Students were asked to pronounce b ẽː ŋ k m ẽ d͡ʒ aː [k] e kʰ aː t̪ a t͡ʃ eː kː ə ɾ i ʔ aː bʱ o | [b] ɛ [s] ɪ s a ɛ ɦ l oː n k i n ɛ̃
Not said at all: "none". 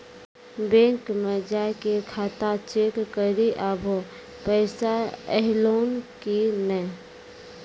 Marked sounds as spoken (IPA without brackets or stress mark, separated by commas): k, p, none